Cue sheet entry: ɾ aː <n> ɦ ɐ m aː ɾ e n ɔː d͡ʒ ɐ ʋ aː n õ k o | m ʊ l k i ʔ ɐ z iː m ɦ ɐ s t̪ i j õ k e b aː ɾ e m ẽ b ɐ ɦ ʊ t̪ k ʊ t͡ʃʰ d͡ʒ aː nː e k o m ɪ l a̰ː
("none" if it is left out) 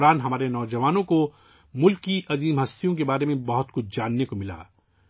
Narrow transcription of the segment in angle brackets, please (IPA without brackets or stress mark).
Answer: n